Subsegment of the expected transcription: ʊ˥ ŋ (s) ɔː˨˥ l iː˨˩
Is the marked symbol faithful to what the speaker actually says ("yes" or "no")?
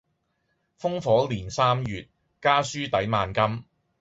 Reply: no